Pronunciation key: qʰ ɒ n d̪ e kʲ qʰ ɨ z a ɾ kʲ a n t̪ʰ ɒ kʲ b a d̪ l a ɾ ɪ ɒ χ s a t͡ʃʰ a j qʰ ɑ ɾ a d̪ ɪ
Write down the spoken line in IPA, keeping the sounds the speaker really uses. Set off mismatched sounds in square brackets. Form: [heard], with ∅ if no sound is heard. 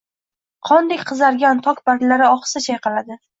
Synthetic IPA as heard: qʰ ɒ n d̪ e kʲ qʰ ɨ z a ɾ [ɡʲ] a n t̪ʰ ɒ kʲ b a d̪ l a ɾ ɪ ɒ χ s a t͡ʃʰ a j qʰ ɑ [l] a d̪ ɪ